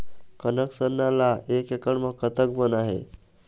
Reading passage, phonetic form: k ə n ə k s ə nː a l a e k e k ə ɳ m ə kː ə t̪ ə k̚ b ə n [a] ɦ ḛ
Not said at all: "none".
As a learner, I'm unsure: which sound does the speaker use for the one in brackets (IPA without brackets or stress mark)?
a